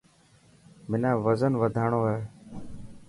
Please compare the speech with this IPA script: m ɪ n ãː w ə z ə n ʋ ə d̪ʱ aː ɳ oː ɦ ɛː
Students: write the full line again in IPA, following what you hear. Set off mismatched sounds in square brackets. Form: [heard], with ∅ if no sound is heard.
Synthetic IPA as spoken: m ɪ n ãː [ʋ] ə z ə n ʋ ə d̪ʱ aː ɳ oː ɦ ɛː